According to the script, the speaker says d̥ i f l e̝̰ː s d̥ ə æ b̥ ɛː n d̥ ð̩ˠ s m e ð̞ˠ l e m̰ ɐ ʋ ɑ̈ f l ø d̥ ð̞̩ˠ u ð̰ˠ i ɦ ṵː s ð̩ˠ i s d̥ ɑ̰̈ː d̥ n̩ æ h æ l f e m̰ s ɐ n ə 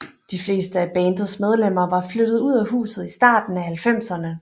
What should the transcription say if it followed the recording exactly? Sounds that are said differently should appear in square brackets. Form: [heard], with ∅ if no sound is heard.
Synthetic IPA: d̥ i f l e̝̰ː s d̥ ə æ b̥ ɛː n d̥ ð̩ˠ s m e ð̞ˠ l e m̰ ɐ ʋ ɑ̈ f l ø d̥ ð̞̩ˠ u ð̰ˠ [æ] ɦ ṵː s ð̩ˠ i s d̥ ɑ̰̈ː d̥ n̩ æ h æ l f e m̰ s ɐ n ə